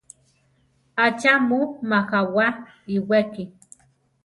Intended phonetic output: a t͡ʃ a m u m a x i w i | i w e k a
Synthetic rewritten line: a t͡ʃ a m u m a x a w a | i w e k i